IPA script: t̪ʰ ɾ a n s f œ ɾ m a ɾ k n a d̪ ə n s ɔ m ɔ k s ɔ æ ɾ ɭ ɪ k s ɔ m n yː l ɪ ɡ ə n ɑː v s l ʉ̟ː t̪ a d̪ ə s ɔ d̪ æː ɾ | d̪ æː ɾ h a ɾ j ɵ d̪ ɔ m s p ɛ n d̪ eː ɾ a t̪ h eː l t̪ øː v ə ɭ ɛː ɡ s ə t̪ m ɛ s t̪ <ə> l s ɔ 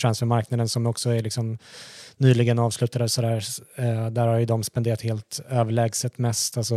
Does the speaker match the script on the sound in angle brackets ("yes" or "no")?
no